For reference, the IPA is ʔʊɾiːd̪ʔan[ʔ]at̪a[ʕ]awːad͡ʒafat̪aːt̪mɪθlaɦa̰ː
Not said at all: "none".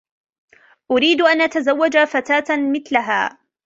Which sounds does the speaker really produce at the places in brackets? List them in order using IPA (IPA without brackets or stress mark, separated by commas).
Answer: ʔ, z